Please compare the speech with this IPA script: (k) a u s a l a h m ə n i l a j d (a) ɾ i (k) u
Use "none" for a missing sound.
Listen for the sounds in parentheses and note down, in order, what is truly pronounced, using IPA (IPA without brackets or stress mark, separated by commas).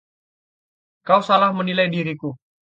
k, i, k